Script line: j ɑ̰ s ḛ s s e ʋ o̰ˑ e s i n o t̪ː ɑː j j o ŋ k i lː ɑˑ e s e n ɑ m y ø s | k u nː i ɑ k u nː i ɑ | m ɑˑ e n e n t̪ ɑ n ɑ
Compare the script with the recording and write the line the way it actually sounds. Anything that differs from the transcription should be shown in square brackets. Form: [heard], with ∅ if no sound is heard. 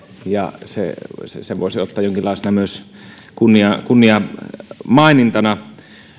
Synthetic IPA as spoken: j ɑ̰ s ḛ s s e ʋ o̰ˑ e s i [∅] o t̪ː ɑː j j o ŋ k i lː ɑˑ e s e n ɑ m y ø s | k u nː i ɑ k u nː i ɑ | m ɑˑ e n [i] n t̪ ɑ n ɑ